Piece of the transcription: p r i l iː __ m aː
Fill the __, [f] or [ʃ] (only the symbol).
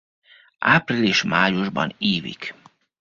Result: ʃ